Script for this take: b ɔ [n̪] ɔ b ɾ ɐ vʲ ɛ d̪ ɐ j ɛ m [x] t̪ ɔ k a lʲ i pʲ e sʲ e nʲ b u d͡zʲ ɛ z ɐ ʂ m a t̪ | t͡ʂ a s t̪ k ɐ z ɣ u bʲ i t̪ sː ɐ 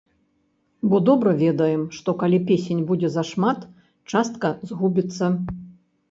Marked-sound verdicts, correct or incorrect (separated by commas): incorrect, incorrect